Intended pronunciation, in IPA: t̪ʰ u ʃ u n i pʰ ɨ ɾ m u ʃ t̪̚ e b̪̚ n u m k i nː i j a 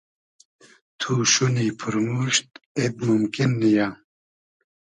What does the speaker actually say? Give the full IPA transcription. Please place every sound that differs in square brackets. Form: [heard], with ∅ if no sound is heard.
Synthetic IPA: t̪ʰ u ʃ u n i pʰ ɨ ɾ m u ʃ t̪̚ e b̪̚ [m] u m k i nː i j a